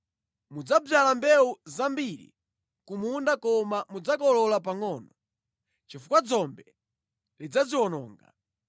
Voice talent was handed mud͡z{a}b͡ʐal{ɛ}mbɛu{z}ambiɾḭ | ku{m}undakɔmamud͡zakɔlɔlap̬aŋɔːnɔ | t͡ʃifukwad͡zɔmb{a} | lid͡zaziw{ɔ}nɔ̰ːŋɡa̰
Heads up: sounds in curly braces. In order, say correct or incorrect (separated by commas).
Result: correct, incorrect, correct, correct, incorrect, correct